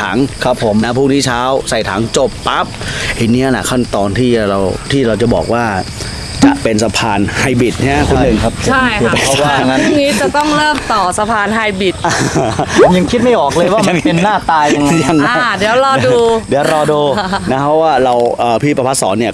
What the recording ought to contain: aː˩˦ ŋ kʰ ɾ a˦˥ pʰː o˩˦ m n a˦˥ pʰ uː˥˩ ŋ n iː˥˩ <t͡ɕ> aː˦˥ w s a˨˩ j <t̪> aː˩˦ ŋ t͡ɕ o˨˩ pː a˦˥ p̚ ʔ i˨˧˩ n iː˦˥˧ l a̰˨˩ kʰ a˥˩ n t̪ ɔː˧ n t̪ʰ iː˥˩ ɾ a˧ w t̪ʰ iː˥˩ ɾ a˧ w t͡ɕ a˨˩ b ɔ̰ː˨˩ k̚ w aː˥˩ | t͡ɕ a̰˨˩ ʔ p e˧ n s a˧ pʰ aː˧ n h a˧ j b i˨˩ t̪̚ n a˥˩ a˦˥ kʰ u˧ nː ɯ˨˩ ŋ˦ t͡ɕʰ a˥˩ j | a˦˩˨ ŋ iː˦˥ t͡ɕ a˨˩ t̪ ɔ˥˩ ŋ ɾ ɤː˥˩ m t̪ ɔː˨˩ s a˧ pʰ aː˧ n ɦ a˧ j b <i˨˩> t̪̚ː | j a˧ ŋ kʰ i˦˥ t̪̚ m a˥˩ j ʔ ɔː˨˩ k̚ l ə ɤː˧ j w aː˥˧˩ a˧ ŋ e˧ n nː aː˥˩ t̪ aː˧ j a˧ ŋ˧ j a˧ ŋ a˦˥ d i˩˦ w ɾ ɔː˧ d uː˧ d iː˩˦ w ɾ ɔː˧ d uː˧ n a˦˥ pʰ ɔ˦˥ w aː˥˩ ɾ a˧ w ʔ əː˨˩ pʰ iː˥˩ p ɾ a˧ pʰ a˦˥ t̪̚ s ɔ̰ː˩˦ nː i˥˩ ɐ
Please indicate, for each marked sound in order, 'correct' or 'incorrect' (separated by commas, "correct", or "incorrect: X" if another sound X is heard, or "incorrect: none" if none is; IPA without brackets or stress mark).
incorrect: t͡ɕʰ, incorrect: t̪ʰ, correct